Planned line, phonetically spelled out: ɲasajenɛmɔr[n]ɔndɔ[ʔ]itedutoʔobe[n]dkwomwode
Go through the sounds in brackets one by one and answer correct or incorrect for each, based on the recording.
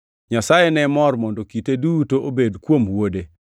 incorrect: m, incorrect: k, incorrect: none

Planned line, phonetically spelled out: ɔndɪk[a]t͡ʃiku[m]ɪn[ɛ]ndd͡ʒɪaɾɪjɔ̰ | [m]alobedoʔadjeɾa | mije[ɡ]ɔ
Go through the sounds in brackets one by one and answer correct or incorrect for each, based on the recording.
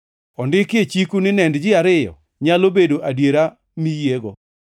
incorrect: e, incorrect: n, correct, incorrect: ɲ, correct

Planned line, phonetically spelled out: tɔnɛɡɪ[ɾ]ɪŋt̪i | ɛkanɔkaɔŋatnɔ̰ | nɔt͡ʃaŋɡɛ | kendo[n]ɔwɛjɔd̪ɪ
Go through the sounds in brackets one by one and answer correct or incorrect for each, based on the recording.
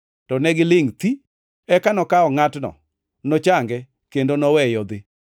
incorrect: l, correct

